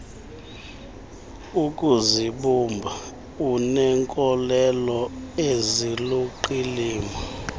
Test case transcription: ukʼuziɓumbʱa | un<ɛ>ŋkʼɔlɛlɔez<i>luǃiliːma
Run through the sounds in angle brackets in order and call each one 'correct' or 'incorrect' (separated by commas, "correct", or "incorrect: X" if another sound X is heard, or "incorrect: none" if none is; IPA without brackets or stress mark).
correct, correct